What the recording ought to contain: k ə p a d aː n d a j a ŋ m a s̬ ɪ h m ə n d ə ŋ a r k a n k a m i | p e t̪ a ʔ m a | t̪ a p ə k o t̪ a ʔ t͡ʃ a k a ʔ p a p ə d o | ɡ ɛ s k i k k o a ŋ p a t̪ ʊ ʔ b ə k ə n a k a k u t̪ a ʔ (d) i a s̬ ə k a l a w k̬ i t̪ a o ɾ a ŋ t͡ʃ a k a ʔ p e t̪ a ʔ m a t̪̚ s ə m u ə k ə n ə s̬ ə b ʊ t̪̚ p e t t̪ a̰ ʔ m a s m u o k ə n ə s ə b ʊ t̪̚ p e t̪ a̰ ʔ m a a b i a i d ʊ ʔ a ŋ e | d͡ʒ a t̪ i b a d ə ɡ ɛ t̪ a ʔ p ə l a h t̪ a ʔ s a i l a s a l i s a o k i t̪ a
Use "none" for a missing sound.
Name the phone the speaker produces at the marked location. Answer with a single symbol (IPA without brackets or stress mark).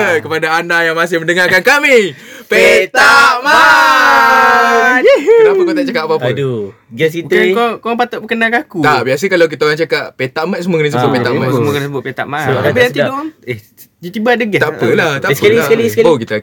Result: b